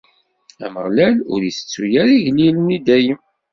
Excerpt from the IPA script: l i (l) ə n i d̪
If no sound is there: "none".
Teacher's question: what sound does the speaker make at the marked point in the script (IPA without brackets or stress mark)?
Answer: l